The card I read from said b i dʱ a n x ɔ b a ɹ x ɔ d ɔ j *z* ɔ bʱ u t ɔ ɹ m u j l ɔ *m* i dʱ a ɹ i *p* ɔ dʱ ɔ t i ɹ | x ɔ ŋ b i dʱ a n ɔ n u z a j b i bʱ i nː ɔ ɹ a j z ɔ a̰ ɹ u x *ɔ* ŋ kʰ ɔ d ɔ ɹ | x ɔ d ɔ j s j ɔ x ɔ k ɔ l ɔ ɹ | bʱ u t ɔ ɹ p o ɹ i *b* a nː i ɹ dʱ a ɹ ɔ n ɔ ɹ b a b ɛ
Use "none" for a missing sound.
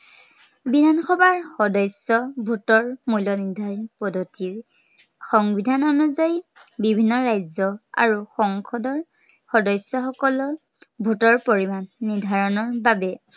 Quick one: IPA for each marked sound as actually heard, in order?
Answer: s, n, p, ɔ, m

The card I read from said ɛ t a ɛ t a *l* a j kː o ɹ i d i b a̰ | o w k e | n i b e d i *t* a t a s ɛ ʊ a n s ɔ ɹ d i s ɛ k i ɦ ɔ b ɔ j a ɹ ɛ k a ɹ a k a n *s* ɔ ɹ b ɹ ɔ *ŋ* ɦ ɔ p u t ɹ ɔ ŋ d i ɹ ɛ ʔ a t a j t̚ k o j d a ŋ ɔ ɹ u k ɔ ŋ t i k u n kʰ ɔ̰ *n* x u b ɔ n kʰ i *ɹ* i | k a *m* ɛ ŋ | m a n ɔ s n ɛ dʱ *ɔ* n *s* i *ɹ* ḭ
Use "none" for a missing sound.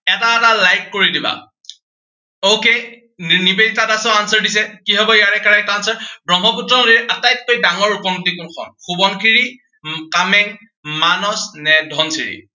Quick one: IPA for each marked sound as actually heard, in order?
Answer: l, t, s, ŋ, n, ɹ, m, ɔ, s, ɹ

